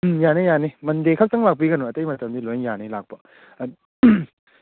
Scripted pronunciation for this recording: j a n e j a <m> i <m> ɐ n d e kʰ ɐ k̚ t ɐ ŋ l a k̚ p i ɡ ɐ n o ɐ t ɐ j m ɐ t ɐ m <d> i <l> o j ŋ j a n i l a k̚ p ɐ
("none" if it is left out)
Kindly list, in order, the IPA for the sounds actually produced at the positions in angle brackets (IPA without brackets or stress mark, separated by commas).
n, m, d, l